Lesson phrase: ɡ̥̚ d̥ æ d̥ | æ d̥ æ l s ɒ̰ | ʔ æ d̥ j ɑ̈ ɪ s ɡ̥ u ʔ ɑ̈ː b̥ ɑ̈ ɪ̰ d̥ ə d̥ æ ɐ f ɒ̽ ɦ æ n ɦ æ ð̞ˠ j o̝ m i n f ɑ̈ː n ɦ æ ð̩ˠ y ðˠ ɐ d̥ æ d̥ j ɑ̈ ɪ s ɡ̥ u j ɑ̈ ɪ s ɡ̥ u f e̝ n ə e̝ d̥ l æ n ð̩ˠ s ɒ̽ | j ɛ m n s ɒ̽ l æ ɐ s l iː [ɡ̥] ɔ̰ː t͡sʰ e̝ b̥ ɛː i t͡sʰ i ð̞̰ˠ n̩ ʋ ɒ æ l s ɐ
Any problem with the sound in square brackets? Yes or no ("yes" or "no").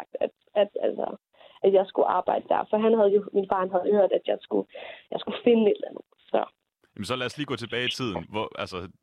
no